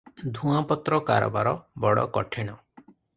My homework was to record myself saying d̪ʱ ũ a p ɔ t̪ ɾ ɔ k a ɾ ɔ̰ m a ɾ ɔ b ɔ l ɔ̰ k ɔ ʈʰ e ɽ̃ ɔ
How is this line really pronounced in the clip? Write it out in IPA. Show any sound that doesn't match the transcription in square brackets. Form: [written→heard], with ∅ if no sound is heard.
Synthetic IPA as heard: d̪ʱ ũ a p ɔ t̪ ɾ ɔ k a ɾ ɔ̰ [m→b] a ɾ ɔ b ɔ [l→ɽ] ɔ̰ k ɔ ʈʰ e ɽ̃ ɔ